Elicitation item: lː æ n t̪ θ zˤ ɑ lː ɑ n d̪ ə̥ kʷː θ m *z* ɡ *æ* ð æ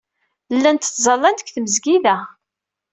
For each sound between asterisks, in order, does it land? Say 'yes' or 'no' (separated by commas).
yes, no